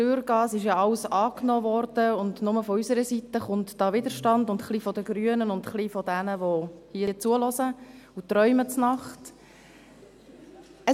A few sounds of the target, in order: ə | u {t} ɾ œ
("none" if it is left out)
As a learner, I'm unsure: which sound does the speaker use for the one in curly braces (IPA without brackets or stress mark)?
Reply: t